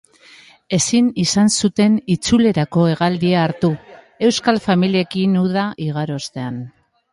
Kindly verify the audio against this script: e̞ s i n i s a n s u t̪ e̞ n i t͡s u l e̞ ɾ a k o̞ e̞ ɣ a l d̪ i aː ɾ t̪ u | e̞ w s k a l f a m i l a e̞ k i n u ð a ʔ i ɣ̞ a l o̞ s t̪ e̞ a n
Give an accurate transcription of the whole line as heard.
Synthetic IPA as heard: e̞ s i n i s a n s u t̪ e̞ n i t͡s u l e̞ ɾ a k o̞ e̞ ɣ a l d̪ i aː ɾ t̪ u | e̞ w s k a l f a m i l i e̞ k i n u ð a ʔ i ɣ̞ a ɾ o̞ s t̪ e̞ a n